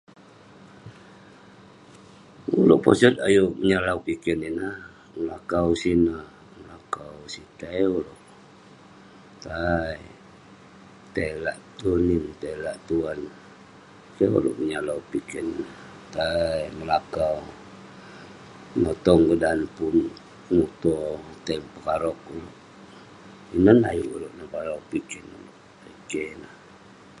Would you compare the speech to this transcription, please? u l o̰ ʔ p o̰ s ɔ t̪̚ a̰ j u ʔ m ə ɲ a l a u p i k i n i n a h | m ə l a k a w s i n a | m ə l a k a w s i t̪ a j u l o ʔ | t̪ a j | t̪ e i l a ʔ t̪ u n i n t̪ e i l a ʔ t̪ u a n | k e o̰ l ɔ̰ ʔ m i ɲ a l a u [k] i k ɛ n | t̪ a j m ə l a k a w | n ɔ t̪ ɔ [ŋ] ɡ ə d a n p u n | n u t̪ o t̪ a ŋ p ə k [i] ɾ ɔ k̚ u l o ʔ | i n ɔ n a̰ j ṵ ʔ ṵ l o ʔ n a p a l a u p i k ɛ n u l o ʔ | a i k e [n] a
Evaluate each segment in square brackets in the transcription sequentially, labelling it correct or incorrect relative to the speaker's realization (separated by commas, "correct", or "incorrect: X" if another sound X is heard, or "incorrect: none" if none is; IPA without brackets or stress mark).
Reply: incorrect: p, correct, incorrect: a, correct